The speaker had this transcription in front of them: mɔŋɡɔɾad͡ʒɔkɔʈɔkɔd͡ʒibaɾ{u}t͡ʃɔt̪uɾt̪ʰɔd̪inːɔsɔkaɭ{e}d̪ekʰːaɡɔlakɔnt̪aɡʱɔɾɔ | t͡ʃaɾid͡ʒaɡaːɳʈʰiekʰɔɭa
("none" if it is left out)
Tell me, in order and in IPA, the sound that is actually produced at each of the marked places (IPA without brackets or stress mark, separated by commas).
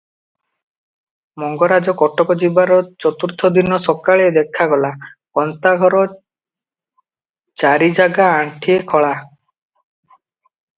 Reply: ɔ, e